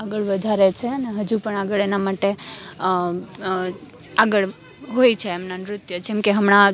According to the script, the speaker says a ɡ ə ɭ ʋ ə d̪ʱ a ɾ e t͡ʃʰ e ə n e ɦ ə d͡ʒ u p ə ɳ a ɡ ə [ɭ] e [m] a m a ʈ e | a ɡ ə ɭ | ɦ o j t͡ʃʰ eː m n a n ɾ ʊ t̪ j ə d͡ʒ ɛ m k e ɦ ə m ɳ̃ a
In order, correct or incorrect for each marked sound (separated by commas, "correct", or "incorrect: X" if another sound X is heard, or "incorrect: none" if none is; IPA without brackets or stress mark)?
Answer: correct, incorrect: n